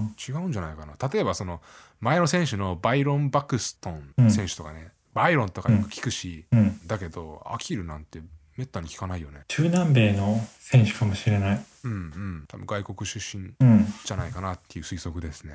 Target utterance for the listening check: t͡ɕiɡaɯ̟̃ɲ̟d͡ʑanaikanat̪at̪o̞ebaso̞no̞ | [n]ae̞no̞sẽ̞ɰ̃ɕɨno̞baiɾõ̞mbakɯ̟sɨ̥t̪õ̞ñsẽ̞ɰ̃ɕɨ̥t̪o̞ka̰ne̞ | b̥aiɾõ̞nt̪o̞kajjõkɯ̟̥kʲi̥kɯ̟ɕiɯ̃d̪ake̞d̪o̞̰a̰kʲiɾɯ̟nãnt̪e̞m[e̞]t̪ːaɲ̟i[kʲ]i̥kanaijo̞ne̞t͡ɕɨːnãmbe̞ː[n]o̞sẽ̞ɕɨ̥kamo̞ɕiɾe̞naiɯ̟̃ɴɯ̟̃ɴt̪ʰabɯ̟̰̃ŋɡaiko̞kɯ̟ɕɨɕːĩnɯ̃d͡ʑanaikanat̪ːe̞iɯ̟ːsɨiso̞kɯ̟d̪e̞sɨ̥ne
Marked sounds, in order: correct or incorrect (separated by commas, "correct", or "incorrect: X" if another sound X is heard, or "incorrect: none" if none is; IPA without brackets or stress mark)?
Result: incorrect: m, correct, correct, correct